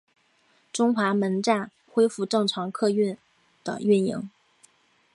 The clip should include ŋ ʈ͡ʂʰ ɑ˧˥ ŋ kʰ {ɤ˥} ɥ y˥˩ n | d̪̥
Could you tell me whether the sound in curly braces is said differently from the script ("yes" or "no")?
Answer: yes